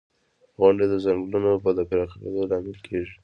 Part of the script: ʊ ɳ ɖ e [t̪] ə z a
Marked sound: incorrect: d̪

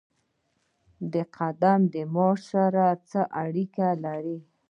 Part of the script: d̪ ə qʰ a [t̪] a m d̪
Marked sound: incorrect: d̪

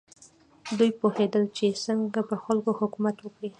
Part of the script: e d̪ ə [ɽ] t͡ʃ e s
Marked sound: incorrect: l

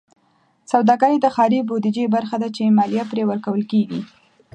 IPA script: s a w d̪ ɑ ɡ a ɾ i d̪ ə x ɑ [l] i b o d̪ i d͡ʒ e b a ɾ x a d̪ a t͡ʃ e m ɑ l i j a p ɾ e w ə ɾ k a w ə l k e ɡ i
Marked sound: incorrect: ɾ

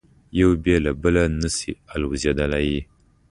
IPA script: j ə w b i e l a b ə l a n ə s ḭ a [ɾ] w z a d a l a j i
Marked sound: incorrect: l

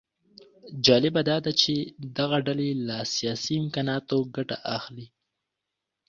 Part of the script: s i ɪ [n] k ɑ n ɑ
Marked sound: incorrect: m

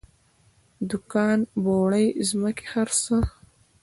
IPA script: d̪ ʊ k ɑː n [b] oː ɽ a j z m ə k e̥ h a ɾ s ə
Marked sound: correct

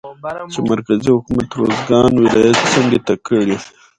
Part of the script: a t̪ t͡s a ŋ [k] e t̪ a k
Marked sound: incorrect: ɡ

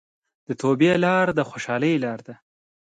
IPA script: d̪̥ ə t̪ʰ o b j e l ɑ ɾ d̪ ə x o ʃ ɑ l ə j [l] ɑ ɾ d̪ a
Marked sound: correct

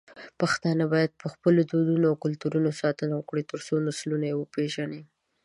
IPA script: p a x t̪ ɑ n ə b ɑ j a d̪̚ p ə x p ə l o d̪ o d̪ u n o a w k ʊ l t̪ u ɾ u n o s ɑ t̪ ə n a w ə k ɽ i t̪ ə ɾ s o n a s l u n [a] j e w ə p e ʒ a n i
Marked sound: correct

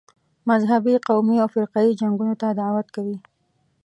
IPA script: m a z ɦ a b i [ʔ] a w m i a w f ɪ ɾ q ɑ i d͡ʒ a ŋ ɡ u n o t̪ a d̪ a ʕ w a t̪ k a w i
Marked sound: incorrect: q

